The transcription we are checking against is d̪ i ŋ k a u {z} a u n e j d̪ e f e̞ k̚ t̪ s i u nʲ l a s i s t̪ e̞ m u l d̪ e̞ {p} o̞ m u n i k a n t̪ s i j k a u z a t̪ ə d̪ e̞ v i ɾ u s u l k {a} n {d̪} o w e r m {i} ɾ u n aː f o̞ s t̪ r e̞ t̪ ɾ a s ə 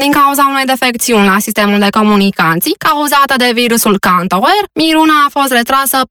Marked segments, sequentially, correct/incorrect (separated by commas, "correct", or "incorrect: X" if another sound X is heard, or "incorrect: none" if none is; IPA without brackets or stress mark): correct, incorrect: k, correct, incorrect: t̪, correct